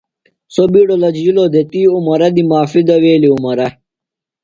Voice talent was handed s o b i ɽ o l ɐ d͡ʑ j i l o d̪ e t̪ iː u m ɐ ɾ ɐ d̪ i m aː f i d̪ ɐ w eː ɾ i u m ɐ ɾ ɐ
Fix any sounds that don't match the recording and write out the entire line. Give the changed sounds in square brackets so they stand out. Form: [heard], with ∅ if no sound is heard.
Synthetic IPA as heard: s o b i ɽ o l ɐ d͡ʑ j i l o d̪ e t̪ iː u m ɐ ɾ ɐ d̪ i m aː f i d̪ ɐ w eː [l] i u m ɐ ɾ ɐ